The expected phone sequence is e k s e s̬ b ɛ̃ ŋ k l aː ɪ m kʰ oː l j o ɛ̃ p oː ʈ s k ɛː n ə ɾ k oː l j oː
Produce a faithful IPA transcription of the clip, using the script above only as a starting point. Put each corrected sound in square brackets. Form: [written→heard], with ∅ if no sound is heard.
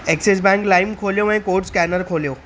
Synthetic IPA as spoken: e k s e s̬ b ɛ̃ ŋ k l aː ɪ m kʰ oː l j o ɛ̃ [p→k] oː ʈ s k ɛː n ə ɾ [k→kʰ] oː l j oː